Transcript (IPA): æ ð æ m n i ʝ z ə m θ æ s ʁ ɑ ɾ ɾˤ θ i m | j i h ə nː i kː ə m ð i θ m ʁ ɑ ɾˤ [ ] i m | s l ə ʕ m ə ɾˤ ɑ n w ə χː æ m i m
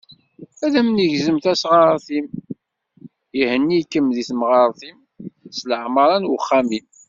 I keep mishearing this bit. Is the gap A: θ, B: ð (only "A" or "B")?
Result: A